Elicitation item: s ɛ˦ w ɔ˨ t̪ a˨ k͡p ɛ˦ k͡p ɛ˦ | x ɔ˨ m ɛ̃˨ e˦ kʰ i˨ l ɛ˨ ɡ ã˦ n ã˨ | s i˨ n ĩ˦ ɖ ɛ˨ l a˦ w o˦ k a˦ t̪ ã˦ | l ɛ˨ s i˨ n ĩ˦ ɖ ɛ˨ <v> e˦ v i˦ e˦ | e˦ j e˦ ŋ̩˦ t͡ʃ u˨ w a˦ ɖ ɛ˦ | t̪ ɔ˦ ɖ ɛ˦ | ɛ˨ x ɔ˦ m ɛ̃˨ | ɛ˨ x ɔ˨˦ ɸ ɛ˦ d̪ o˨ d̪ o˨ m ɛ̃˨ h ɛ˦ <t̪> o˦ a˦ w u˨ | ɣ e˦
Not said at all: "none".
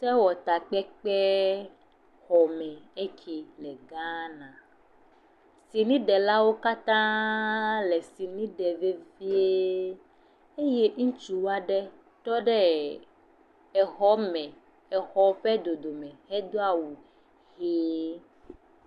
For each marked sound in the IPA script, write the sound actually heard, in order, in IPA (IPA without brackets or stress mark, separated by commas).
v, d̪